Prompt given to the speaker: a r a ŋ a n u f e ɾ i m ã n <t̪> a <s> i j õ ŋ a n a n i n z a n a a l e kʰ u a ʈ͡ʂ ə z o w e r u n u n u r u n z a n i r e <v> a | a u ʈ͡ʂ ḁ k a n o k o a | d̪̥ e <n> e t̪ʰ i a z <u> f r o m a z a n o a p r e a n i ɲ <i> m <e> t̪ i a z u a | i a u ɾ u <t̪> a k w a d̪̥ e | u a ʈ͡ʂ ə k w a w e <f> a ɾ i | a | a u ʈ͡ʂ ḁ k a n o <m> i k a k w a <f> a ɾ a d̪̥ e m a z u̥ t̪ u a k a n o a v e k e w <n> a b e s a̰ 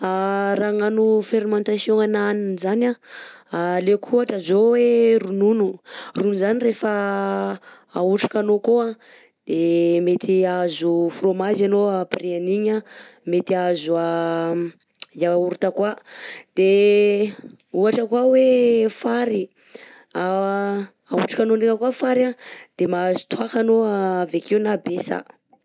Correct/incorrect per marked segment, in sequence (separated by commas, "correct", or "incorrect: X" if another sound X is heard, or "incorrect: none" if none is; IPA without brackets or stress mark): correct, correct, incorrect: f, incorrect: m, correct, incorrect: a, correct, correct, correct, incorrect: n, correct, correct